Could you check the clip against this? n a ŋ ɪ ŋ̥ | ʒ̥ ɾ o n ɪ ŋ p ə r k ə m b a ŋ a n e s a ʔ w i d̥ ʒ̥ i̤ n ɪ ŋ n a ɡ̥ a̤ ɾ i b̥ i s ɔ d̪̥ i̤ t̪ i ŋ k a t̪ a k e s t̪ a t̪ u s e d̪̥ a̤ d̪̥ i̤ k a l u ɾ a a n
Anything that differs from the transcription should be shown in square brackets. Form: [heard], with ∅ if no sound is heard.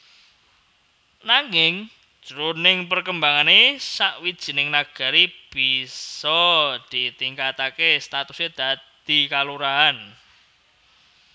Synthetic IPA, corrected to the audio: n a ŋ ɪ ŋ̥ | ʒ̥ ɾ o n ɪ ŋ p ə r k ə m b a ŋ a n e s a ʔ w i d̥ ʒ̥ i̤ n ɪ ŋ n a ɡ̥ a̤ ɾ i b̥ i s ɔ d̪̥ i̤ t̪ i ŋ k a t̪ a k e s t̪ a t̪ u s e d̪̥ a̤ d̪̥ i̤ k a l u ɾ a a n